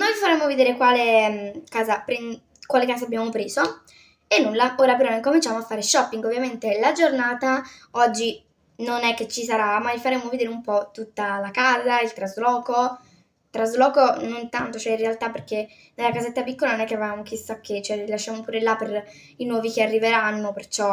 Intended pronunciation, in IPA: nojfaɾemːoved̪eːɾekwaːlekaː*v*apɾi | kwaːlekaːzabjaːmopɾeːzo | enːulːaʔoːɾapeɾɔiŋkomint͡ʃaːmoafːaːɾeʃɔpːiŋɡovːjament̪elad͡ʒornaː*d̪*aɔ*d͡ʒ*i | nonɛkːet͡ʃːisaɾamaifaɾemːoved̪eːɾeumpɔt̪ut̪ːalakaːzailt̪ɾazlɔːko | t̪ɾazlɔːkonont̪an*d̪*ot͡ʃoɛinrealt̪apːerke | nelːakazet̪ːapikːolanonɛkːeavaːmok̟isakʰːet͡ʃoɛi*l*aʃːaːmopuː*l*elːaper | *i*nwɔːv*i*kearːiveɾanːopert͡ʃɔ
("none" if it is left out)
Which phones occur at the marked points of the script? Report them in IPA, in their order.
z, t̪, d͡ʒː, t̪, l, ɾ, i, i

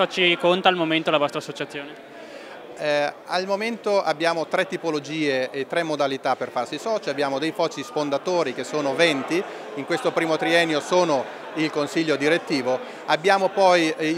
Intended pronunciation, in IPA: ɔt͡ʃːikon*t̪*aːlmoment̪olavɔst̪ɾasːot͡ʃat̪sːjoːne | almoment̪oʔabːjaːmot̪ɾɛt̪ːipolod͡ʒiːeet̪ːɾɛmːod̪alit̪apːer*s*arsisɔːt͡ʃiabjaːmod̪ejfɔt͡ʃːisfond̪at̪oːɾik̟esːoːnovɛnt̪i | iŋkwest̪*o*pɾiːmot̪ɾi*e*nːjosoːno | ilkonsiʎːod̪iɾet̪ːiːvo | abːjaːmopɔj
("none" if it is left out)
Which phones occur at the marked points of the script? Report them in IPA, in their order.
t̪, f, o, ɛ

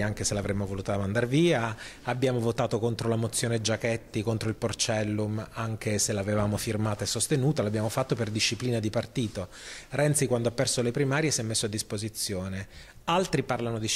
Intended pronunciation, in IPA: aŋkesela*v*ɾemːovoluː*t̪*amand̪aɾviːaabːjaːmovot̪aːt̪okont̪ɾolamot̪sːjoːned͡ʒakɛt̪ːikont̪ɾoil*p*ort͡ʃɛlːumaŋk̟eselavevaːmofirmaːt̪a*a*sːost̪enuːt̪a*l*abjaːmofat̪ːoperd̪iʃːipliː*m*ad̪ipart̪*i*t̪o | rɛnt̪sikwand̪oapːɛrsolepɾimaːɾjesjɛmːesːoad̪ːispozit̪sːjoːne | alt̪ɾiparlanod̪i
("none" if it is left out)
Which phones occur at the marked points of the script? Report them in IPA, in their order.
v, t̪, p, e, l, n, iː

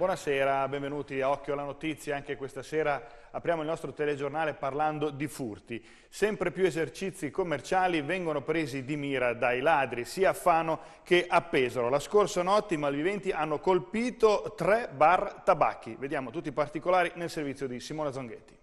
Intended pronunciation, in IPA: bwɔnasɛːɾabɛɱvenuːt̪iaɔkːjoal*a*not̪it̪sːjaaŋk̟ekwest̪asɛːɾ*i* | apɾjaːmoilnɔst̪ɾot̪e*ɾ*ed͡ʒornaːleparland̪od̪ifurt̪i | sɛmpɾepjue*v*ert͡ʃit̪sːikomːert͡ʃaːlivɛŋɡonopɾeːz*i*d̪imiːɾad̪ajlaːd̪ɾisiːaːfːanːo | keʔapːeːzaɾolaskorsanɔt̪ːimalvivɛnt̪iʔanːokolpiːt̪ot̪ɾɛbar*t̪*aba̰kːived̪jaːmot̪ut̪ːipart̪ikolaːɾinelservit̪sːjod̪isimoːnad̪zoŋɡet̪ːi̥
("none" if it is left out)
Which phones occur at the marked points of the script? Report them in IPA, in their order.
a, a, l, z, i, t̪

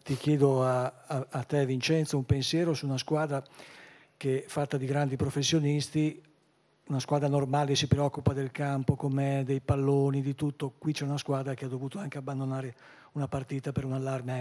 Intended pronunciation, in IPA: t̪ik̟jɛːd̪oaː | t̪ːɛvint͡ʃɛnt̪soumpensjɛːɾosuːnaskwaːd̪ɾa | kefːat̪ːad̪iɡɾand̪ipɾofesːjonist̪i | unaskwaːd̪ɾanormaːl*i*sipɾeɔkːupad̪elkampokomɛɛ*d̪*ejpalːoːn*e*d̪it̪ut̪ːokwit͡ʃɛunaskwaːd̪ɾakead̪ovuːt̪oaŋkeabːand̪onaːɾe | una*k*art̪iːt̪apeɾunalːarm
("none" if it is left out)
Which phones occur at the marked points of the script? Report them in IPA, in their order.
e, d̪, i, p

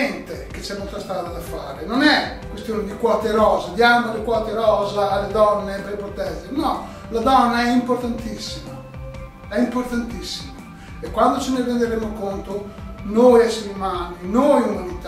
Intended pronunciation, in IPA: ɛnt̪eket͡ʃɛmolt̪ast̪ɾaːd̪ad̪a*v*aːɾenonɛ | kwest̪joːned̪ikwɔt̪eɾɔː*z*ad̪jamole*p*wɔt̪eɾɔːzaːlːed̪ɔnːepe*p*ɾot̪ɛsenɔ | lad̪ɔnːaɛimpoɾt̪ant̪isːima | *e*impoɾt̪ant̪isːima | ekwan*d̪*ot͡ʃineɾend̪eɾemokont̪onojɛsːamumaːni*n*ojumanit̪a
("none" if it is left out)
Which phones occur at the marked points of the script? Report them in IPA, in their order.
f, z, k, p, ɛ, d̪, n

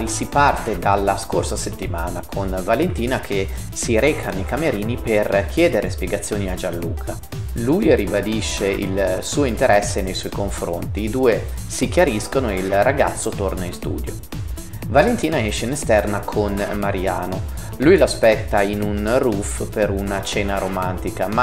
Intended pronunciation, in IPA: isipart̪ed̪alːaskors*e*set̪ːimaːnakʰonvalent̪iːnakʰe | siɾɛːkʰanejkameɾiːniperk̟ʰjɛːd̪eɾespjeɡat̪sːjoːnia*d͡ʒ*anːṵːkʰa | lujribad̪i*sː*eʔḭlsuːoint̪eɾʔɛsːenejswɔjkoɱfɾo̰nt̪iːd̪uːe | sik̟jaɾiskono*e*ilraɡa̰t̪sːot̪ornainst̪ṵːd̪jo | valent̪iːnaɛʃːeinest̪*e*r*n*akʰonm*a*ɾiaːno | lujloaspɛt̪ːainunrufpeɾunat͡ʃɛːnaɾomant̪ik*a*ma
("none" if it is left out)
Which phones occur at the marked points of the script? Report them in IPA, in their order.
a, d͡ʒ, ʃː, e, ɛ, n, a, a

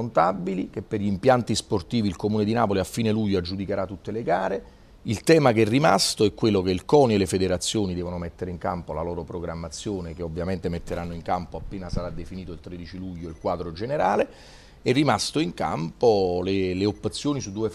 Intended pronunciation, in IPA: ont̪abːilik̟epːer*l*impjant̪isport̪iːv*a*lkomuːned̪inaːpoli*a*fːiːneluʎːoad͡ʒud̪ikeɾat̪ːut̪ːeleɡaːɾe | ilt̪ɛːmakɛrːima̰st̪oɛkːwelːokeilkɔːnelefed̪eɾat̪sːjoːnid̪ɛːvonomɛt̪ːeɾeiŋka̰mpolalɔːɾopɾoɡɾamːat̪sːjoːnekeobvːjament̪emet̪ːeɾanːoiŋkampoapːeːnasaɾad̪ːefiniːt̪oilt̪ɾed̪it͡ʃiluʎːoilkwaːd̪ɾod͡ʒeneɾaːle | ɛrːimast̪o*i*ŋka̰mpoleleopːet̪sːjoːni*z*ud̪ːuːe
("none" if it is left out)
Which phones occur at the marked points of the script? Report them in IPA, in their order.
ʎ, i, a, i, s

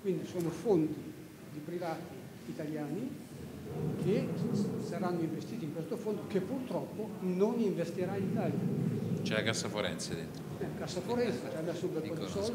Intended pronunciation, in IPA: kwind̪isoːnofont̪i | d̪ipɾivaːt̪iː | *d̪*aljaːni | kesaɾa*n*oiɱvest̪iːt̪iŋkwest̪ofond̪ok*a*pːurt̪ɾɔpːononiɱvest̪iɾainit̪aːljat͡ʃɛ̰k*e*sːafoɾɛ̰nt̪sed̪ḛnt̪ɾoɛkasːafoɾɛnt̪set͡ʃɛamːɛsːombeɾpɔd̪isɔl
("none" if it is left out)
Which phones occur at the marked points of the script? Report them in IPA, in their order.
t̪, nː, e, a

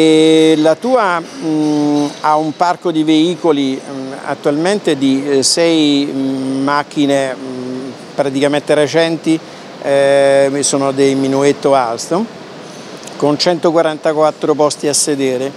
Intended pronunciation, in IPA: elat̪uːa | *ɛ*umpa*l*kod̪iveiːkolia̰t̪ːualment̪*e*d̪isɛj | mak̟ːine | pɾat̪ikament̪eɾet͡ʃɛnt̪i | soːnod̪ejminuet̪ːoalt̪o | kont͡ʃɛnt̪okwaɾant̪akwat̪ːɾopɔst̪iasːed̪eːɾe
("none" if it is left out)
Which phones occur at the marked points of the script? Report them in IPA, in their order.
a, r, e

